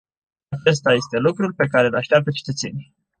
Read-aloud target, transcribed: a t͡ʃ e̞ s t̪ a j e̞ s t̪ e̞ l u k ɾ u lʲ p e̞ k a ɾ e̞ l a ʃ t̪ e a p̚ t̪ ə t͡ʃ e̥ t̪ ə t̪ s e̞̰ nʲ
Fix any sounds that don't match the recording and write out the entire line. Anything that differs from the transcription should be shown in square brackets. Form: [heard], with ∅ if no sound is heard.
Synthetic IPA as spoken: a t͡ʃ e̞ s t̪ a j e̞ s t̪ e̞ l u k ɾ u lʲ p e̞ k a ɾ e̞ l a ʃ t̪ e a p̚ t̪ ə t͡ʃ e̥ t̪ ə t̪ s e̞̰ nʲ